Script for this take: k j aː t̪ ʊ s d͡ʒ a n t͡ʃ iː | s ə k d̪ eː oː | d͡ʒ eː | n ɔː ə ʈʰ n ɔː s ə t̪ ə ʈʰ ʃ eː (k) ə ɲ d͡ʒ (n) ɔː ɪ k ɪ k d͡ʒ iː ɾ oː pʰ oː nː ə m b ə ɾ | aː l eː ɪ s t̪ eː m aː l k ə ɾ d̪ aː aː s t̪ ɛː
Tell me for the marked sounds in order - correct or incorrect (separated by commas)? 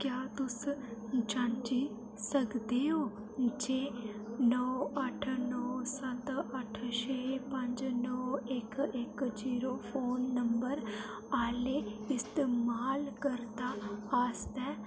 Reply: incorrect, correct